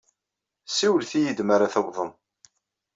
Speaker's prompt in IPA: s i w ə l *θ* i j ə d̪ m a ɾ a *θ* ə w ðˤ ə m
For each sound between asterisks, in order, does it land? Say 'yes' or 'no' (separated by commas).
yes, yes